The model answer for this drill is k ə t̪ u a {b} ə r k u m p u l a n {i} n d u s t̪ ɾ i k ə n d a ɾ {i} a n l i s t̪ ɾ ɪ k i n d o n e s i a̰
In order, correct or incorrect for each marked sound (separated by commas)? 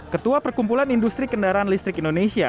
incorrect, correct, incorrect